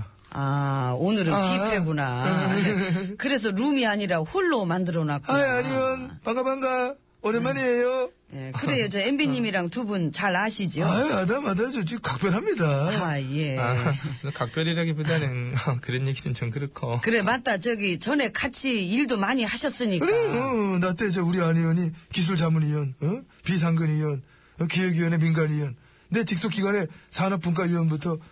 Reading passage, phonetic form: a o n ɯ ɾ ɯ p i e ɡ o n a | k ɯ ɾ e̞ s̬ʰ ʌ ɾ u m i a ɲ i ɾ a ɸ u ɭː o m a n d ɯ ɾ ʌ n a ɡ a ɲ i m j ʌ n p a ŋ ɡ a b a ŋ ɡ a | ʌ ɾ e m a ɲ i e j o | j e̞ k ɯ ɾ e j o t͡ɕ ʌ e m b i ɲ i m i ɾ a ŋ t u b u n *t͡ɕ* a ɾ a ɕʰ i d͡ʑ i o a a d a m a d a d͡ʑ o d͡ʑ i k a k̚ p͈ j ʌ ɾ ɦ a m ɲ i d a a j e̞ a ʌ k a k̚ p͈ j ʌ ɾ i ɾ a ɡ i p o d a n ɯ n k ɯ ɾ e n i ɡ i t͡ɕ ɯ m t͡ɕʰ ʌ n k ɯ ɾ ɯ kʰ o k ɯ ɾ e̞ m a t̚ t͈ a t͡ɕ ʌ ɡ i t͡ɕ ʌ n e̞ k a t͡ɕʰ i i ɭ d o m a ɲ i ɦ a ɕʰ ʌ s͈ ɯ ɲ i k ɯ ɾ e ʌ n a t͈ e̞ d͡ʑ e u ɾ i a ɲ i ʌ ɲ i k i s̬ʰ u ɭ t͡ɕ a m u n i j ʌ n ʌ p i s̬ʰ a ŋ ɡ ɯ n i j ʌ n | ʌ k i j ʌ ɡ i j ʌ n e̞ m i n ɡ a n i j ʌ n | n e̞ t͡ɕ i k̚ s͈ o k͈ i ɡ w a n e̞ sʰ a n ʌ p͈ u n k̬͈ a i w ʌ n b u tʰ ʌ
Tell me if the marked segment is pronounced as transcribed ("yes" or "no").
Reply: yes